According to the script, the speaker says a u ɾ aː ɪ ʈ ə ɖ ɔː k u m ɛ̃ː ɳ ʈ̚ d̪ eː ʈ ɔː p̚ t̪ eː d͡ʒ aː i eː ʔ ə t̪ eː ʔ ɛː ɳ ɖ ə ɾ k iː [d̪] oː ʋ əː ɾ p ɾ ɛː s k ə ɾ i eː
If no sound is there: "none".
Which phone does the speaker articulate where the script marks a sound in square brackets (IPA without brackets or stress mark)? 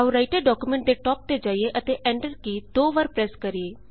d̪